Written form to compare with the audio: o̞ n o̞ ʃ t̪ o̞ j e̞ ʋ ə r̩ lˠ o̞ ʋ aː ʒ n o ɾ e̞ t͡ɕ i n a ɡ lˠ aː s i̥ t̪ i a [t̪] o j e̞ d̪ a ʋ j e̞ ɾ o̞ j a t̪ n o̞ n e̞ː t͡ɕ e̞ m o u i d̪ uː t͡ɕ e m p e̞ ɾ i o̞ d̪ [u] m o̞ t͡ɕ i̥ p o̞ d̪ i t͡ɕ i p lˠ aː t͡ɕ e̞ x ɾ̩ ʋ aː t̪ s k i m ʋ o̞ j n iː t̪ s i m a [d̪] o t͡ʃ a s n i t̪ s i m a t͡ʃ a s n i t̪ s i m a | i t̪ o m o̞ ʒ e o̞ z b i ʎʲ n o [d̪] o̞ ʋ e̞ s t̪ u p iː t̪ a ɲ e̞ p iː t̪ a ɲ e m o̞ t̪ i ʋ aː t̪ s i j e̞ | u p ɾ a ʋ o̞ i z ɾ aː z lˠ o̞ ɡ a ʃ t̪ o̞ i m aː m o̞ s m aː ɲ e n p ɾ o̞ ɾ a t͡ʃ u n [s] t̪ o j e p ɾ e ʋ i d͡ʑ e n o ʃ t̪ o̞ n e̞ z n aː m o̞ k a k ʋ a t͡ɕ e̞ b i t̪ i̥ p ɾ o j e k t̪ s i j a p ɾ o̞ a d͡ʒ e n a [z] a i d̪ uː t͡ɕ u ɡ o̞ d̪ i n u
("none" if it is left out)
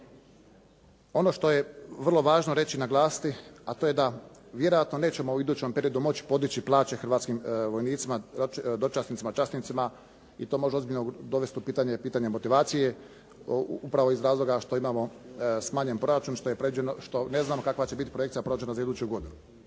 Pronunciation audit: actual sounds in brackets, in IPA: t̪, u, d̪, d̪, ʃ, z

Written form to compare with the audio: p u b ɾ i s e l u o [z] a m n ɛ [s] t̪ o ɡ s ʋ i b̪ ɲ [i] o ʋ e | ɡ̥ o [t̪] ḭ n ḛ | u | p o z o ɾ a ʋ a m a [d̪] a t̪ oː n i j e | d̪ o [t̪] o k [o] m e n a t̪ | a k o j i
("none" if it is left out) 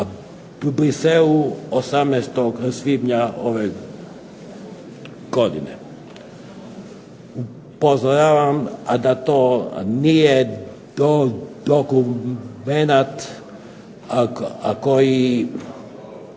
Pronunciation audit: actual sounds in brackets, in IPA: s, s, a, d̪, d̪, d̪, u

